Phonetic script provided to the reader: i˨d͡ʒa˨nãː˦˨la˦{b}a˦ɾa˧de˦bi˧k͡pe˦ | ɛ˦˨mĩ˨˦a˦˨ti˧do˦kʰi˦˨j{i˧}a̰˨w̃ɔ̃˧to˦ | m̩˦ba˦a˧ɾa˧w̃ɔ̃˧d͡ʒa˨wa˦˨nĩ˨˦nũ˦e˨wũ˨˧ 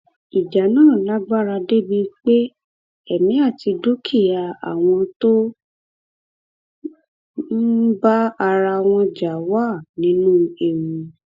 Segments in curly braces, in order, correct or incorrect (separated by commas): incorrect, incorrect